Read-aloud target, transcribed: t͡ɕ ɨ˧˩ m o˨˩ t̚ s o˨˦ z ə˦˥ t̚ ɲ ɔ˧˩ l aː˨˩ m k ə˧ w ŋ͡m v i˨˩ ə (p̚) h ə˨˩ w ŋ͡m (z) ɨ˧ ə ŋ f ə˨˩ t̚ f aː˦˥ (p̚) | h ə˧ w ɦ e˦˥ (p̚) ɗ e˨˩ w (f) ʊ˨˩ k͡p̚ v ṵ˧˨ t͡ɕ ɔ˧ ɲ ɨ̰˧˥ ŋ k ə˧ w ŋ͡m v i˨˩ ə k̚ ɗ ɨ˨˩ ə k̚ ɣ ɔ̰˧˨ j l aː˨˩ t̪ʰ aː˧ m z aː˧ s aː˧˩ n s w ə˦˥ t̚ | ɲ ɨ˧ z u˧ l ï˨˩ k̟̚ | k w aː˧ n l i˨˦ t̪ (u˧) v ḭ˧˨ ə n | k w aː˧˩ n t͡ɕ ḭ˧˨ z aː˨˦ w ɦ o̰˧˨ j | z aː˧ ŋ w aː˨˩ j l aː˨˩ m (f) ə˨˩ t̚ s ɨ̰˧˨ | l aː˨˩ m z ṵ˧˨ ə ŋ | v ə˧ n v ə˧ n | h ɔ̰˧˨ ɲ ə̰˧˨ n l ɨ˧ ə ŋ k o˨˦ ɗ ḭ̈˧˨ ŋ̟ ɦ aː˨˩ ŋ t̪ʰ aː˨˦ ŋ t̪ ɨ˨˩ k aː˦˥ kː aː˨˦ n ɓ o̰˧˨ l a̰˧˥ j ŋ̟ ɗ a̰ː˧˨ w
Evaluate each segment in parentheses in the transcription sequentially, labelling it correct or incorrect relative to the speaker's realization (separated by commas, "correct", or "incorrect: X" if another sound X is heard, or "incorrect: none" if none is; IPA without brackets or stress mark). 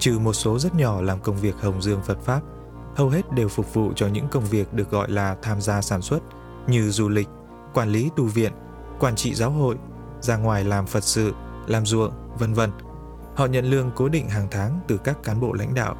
incorrect: k̚, correct, correct, incorrect: t̚, correct, correct, correct